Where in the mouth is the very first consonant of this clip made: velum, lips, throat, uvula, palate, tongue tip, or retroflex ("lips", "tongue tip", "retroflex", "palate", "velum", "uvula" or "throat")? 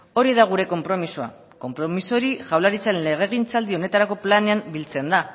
tongue tip